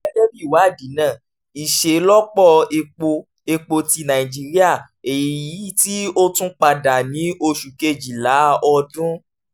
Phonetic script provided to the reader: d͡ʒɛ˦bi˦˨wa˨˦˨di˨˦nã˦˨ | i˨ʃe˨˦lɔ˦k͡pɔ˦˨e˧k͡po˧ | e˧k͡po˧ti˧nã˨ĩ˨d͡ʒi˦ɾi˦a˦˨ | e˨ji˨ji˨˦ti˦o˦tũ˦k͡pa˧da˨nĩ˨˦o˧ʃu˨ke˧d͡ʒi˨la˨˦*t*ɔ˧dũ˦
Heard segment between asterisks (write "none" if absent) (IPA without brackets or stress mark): none